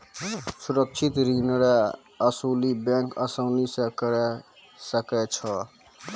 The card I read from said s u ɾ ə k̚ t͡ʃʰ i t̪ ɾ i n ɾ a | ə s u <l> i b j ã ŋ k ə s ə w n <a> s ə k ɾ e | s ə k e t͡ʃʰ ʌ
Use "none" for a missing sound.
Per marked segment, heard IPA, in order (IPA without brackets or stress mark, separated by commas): l, i